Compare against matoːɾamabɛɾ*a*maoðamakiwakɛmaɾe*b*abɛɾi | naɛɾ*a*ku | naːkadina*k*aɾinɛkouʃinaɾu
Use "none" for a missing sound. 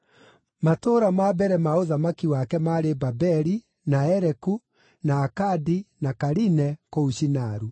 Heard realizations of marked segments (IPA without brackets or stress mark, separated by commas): ɛ, b, ɛ, k